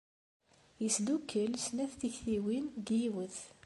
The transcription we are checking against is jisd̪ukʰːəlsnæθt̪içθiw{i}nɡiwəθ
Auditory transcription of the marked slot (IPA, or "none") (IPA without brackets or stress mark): i